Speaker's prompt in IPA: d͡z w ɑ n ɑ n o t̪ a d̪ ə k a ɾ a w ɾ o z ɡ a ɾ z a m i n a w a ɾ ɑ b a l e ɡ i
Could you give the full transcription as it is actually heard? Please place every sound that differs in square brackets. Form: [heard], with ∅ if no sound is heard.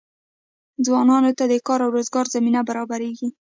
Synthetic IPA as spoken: d͡z w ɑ n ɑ n o t̪ a d̪ ə k [ɑ] ɾ a w ɾ o z ɡ [ɑ] ɾ z a m i n a [b] a ɾ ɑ b a [ɾ] e ɡ i